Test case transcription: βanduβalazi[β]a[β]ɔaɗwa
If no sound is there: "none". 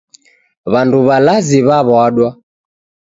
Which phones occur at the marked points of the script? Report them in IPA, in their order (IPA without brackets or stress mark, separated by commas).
β, β